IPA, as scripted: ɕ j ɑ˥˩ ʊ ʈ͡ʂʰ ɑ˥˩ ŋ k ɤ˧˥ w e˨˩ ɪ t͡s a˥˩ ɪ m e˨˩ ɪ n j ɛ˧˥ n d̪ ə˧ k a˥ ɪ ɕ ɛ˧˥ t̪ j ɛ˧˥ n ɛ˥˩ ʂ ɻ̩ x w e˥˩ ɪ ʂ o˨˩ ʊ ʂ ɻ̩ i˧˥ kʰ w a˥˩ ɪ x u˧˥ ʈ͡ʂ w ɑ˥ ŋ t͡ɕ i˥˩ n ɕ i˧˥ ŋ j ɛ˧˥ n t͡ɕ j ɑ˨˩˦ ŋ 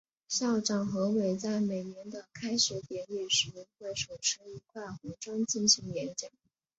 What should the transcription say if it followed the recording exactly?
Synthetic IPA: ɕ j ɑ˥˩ ʊ ʈ͡ʂ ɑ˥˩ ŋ x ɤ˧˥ w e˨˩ ɪ t͡s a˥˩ ɪ m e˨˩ ɪ n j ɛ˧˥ n d̪ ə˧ kʰ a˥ ɪ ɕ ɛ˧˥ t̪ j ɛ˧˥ n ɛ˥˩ ʂ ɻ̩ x w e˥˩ ɪ ʂ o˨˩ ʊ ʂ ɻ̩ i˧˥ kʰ w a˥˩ ɪ x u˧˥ ʈ͡ʂ w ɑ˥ ŋ t͡ɕ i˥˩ n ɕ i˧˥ ŋ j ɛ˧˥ n t͡ɕ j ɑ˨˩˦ ŋ